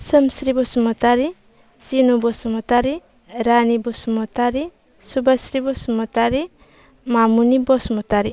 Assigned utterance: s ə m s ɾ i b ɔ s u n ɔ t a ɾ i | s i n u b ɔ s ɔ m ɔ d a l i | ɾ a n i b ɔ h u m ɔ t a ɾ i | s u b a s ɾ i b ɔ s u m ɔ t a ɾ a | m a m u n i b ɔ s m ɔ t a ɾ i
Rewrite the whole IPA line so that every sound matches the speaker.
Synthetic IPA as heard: s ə m s ɾ i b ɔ s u m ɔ t a ɾ i | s i n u b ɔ s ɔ m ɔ t a ɾ i | ɾ a n i b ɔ s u m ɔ t a ɾ i | s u b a s ɾ i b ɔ s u m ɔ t a ɾ i | m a m u n i b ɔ s m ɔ t a ɾ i